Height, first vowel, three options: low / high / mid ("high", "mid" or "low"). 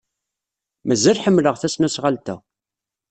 low